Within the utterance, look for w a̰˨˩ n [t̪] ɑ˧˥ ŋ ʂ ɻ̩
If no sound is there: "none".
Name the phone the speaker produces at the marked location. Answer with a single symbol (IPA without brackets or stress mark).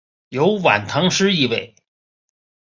t̪ʰ